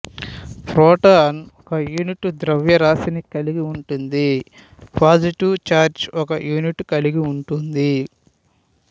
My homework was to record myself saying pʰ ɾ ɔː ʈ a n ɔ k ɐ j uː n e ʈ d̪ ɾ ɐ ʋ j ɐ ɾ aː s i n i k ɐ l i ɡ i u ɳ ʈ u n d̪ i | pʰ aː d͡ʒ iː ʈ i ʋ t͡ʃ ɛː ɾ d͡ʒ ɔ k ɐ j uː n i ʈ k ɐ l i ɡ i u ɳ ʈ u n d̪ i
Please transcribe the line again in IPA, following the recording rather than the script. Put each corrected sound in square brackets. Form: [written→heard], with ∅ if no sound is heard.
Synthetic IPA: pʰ ɾ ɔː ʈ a n ɔ k ɐ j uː n [e→i] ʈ d̪ ɾ ɐ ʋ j ɐ ɾ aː s i n i k ɐ l i ɡ i u ɳ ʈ u n d̪ i | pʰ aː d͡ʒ [iː→i] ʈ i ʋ t͡ʃ [ɛː→aː] ɾ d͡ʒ ɔ k ɐ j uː n i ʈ k ɐ l i ɡ i u ɳ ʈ u n d̪ i